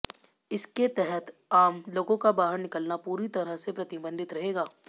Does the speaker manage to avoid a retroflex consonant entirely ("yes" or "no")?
yes